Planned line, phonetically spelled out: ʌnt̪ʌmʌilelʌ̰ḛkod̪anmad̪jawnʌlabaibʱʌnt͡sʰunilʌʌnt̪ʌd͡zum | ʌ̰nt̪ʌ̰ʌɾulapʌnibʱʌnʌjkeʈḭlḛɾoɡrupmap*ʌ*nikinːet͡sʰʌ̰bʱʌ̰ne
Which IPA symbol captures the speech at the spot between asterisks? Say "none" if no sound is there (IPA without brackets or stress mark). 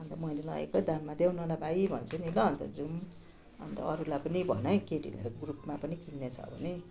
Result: ʌ